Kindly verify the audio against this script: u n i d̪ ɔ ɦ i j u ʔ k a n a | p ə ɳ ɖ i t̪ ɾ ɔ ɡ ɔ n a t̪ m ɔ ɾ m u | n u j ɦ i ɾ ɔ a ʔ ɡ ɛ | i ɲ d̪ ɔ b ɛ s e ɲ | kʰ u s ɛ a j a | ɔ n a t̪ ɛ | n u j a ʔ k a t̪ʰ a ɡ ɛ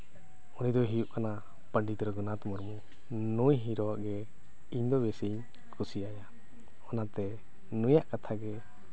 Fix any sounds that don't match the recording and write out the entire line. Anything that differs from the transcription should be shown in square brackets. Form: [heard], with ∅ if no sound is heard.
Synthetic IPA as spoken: u n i d̪ ɔ ɦ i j u ʔ k a n a | p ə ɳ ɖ i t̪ ɾ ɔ ɡ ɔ n a t̪ m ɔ ɾ m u | n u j ɦ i ɾ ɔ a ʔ ɡ ɛ | i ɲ d̪ ɔ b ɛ s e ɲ | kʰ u s [i] a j a | ɔ n a t̪ ɛ | n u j a ʔ k a t̪ʰ a ɡ ɛ